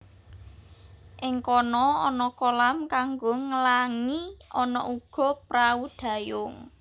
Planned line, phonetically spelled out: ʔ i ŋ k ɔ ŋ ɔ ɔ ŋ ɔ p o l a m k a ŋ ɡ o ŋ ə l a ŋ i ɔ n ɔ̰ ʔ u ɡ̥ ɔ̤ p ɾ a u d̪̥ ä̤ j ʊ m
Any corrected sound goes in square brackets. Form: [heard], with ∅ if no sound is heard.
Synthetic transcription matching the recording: ʔ [ɪ] ŋ k ɔ [n] ɔ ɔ [n] ɔ [k] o l a m k a ŋ ɡ o ŋ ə l a ŋ i ɔ n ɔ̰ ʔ u ɡ̥ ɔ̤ p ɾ a u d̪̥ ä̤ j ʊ [ŋ]